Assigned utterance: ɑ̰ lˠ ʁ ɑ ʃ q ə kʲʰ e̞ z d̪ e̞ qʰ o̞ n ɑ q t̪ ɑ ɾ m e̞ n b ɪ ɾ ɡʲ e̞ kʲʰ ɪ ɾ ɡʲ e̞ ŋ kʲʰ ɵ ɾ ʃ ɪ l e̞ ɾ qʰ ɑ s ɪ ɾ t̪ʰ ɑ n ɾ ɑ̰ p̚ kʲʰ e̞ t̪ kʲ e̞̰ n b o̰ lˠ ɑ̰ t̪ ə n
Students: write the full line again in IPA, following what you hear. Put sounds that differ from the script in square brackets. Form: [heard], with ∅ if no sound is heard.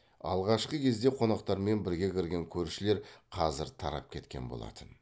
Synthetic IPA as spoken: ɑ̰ lˠ ʁ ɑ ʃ q ə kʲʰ e̞ z d̪ e̞ qʰ o̞ n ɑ q t̪ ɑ ɾ m e̞ n b ɪ ɾ ɡʲ e̞ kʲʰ ɪ ɾ ɡʲ e̞ ŋ kʲʰ ɵ ɾ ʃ ɪ l e̞ ɾ qʰ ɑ [z] ɪ ɾ t̪ʰ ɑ [∅] ɾ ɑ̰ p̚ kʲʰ e̞ t̪ kʲ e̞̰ n b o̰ lˠ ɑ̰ t̪ ə n